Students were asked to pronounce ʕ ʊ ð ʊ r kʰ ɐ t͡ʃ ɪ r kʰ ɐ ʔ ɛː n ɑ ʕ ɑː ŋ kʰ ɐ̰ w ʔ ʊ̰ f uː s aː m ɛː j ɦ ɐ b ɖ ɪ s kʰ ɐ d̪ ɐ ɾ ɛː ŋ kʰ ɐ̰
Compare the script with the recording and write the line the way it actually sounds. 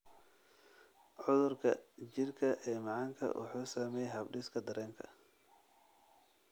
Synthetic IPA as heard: ʕ ʊ ð ʊ r kʰ ɐ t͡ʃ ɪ r kʰ ɐ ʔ ɛː m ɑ ʕ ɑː ŋ kʰ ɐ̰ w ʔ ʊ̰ ħ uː s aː m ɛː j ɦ ɐ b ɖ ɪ s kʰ ɐ d̪ ɐ ɾ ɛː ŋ kʰ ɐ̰